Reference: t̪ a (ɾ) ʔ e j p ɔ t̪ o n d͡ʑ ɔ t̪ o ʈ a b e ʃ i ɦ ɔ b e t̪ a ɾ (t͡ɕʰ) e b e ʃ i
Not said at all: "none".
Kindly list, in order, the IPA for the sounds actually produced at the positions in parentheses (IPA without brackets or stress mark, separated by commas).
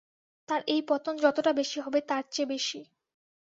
ɾ, t͡ɕ